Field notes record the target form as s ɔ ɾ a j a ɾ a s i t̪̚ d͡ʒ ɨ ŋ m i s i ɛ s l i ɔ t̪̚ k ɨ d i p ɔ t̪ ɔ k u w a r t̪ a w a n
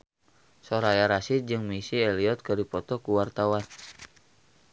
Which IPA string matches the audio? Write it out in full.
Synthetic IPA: s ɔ ɾ a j a ɾ a s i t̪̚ d͡ʒ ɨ ŋ m i s i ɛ l i ɔ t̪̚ k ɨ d i p ɔ t̪ ɔ k u w a r t̪ a w a n